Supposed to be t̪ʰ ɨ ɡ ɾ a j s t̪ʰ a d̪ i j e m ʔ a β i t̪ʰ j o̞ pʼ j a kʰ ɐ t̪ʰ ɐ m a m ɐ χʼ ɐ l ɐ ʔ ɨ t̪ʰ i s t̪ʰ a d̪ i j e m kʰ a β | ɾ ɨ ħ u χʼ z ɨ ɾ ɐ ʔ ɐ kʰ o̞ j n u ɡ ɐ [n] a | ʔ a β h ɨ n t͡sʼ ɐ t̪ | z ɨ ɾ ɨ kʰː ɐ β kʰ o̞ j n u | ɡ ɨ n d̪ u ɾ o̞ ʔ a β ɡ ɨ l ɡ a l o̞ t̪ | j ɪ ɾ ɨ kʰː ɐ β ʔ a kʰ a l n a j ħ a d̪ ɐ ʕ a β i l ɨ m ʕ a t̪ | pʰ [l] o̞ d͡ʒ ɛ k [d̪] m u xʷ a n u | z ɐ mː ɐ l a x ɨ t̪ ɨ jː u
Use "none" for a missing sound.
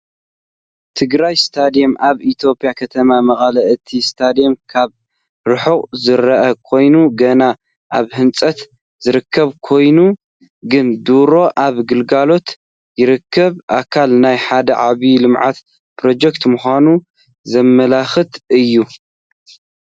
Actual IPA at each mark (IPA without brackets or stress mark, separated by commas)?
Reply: n, ɾ, t̪